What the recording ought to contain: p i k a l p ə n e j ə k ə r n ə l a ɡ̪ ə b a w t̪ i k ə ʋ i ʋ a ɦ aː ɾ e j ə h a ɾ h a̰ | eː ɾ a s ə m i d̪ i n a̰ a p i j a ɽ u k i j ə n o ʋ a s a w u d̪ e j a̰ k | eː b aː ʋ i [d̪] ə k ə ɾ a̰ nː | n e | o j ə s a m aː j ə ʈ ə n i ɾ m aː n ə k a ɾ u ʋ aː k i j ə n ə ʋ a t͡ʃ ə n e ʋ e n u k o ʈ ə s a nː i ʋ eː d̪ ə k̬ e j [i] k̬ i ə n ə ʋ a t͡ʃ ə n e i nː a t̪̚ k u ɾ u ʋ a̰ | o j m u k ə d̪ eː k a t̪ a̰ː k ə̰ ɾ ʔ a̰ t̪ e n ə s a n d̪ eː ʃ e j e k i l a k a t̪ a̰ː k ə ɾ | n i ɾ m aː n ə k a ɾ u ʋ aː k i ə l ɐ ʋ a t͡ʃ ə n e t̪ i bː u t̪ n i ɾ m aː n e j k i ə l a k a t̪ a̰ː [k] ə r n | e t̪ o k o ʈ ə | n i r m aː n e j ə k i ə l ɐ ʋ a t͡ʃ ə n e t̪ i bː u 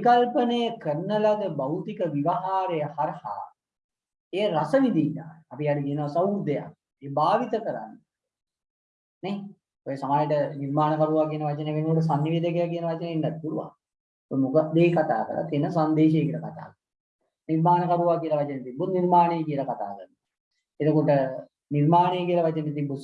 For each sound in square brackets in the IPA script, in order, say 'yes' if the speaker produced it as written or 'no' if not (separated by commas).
no, no, yes